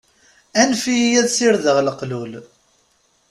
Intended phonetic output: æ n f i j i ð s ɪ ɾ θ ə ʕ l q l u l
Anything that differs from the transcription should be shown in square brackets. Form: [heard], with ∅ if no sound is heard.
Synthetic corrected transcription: æ n f i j [æ] ð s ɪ ɾ [ð] ə [ʁ] l q l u l